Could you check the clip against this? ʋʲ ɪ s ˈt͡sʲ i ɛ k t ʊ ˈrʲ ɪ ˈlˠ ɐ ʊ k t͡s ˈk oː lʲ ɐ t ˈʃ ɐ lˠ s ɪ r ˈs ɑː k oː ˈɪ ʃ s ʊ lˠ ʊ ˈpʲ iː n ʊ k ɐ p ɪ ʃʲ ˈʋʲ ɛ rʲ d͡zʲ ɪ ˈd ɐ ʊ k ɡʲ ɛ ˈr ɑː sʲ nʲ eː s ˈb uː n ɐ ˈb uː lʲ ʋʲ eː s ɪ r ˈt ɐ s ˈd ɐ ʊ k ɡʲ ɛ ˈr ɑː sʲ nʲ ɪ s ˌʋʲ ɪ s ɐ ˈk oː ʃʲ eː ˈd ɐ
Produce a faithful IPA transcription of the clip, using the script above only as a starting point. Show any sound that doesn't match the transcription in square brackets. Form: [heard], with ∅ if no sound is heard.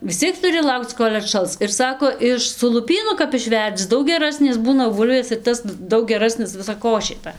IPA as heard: ʋʲ ɪ s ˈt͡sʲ i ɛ k t ʊ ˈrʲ ɪ ˈlˠ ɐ ʊ k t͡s ˈk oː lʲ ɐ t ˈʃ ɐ lˠ s ɪ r ˈs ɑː k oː ˈɪ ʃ s ʊ lˠ ʊ ˈpʲ iː n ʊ k ɐ p ɪ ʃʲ ˈʋʲ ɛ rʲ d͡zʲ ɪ ˈd ɐ ʊ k ɡʲ ɛ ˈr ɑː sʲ nʲ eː s ˈb uː n ɐ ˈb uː lʲ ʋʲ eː s ɪ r ˈt ɐ s ˈd ɐ ʊ k ɡʲ ɛ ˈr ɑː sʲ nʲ ɪ s ˌʋʲ ɪ s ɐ ˈk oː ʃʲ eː [ˈt] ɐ